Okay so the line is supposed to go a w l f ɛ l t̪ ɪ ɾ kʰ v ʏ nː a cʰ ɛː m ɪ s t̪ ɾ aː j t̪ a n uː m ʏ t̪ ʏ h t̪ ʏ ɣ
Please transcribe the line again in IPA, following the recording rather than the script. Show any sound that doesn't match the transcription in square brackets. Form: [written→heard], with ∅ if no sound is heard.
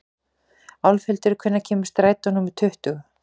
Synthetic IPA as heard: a w l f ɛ l t̪ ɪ ɾ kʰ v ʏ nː a cʰ ɛː m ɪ s t̪ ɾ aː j t̪ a n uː m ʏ [t̪→t̪ʰ] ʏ h t̪ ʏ ɣ